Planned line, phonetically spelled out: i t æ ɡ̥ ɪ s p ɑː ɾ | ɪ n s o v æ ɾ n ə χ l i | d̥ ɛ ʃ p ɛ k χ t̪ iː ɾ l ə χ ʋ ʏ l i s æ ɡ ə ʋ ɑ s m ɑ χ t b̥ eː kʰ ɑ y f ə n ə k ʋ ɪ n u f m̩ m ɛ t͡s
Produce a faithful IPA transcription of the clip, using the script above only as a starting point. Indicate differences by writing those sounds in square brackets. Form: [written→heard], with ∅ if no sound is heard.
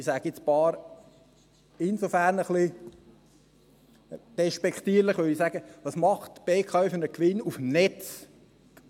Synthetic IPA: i [t→s] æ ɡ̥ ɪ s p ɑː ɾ | ɪ n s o [v→f] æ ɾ n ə χ l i | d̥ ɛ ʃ p ɛ k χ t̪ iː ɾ l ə χ ʋ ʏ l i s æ ɡ ə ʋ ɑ s m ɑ χ t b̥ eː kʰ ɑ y f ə n ə k ʋ ɪ n u f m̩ [m→n] ɛ t͡s